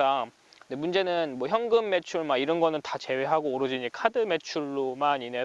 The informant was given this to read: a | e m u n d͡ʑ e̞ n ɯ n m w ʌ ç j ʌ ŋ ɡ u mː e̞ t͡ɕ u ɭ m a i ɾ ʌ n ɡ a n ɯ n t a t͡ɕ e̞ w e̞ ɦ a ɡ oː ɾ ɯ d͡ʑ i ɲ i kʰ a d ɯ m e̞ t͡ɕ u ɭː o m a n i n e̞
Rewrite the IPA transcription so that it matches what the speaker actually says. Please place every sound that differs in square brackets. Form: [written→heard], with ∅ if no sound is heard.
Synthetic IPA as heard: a | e m u n d͡ʑ e̞ n ɯ n m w ʌ ç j ʌ ŋ ɡ [u→ɯ] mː e̞ [t͡ɕ→t͡ɕʰ] u ɭ m a i ɾ ʌ n ɡ [a→ʌ] n ɯ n t a t͡ɕ e̞ w e̞ ɦ a ɡ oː ɾ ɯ d͡ʑ i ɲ i kʰ a d ɯ m e̞ [t͡ɕ→t͡ɕʰ] u ɭː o m a n i n e̞